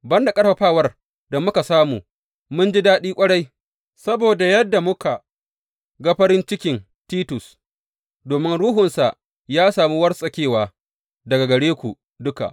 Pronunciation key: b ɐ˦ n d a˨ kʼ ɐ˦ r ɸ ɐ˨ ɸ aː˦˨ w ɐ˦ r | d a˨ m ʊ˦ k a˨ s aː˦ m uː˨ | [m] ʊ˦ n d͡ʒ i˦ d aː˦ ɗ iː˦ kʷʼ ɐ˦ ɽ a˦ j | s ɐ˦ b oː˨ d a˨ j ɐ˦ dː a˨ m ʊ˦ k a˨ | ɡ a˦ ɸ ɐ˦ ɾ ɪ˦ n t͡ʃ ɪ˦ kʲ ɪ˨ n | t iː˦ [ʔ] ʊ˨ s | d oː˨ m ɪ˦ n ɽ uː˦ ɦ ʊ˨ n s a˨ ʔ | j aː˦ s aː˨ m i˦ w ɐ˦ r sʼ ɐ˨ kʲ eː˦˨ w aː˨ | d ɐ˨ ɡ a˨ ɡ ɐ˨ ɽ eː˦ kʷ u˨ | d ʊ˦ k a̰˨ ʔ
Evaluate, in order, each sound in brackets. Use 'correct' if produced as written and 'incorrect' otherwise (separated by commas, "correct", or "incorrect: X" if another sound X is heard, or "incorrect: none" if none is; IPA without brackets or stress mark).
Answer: correct, incorrect: t